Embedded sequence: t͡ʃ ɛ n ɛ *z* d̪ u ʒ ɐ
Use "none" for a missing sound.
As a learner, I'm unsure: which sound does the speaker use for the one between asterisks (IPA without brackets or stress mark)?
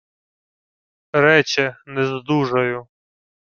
z